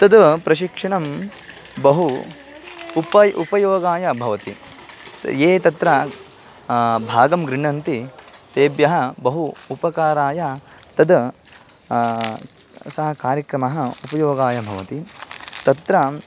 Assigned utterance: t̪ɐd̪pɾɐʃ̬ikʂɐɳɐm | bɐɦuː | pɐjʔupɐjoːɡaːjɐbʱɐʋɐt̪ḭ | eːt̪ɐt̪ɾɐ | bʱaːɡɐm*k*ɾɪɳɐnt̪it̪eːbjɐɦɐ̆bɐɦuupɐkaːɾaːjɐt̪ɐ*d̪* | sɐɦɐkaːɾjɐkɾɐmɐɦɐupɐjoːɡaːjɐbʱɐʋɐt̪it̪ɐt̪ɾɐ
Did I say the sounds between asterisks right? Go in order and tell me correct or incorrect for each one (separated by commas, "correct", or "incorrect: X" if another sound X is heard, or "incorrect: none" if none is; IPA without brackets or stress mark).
incorrect: ɡ, correct